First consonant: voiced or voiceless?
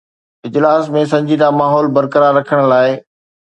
voiced